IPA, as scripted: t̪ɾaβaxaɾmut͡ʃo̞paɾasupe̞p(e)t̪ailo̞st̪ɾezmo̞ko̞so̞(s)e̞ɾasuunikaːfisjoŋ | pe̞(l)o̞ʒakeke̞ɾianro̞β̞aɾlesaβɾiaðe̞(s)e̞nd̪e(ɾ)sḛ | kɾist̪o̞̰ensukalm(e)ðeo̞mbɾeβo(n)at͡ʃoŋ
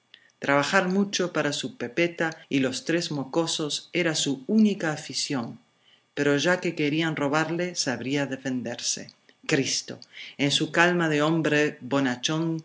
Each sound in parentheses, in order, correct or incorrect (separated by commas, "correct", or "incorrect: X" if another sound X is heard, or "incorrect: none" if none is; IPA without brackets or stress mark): correct, correct, incorrect: ɾ, incorrect: f, correct, incorrect: a, correct